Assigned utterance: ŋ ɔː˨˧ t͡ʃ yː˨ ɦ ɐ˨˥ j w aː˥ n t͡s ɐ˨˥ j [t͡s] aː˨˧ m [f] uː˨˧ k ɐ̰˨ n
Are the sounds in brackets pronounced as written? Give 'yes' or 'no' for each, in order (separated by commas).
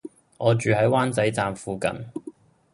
yes, yes